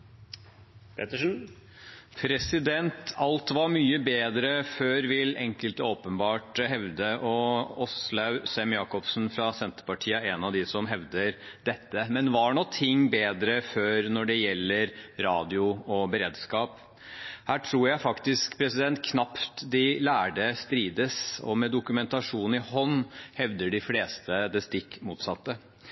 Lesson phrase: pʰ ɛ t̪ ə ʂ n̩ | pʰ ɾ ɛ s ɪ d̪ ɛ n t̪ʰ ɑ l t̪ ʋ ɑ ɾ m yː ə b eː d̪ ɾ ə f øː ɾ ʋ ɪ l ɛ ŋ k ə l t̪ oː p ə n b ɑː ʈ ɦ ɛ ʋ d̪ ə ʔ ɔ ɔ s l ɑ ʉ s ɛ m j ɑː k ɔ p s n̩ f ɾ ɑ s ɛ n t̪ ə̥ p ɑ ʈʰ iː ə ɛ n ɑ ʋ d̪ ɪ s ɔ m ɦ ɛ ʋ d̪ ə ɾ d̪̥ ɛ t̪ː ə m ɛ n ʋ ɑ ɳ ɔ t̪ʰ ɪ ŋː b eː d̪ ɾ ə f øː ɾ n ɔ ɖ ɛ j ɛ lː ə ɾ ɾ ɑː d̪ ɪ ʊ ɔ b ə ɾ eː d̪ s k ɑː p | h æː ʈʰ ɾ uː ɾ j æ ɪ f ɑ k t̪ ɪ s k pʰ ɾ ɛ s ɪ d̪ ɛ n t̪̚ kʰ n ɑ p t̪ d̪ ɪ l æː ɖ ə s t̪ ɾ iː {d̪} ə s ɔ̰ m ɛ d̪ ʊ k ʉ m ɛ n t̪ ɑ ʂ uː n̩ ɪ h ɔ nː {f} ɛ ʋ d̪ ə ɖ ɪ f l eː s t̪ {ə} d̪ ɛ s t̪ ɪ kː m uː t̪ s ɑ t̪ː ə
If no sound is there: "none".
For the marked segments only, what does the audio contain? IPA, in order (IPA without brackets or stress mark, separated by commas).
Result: d̪, h, ə